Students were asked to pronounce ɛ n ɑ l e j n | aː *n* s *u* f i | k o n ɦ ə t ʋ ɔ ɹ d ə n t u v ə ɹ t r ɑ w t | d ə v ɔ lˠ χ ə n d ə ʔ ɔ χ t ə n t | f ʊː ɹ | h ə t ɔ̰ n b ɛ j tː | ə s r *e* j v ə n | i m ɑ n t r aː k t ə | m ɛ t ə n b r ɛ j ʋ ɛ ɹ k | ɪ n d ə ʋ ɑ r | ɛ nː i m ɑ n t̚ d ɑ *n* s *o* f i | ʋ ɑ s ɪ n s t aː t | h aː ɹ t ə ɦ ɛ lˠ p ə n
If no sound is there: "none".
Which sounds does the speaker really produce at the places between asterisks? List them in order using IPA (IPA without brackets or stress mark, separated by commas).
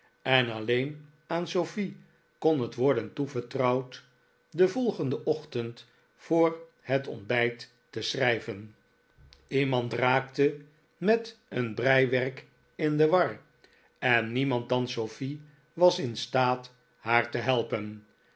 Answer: n, o, ɛ, n, o